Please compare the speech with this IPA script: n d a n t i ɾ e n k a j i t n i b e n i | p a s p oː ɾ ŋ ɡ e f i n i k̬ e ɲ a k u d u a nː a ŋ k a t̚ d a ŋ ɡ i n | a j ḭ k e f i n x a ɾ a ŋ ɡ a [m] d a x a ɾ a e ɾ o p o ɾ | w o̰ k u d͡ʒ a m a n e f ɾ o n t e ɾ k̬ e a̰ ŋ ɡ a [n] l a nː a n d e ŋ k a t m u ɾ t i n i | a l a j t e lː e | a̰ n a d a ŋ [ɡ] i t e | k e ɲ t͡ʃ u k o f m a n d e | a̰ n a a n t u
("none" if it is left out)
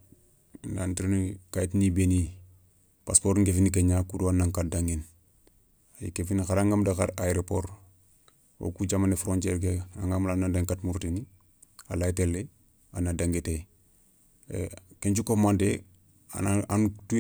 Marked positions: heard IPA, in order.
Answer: m, m, ɡ

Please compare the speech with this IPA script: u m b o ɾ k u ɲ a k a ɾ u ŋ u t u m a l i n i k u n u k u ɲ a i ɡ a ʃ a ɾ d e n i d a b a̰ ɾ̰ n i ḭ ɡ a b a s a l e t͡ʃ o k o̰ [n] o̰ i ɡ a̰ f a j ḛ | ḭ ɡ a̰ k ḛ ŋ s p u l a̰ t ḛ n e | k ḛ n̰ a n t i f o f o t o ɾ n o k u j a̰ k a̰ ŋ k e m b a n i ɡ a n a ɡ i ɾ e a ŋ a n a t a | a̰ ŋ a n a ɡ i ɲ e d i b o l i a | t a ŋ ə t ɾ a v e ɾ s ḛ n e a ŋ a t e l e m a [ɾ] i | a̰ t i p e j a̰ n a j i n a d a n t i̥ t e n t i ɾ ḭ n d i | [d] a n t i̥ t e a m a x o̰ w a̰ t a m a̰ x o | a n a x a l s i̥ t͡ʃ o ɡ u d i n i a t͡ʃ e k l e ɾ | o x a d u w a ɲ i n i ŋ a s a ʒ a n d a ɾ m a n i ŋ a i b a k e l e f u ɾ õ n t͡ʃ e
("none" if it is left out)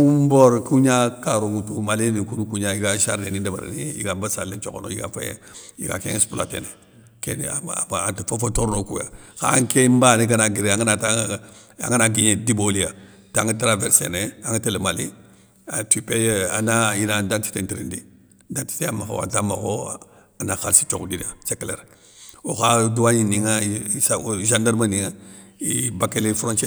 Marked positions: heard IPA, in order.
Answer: n, l, d

